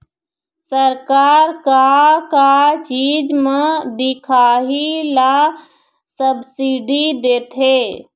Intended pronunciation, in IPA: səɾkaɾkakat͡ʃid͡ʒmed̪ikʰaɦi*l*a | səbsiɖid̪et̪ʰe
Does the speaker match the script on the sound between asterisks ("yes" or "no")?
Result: yes